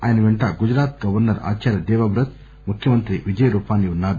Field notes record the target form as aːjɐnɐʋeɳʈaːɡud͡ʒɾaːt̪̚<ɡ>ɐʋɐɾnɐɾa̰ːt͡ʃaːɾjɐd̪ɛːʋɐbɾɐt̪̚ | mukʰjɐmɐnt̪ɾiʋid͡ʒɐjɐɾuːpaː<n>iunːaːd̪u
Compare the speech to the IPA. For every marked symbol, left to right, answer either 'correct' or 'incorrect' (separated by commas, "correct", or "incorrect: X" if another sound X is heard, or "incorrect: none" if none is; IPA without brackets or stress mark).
correct, correct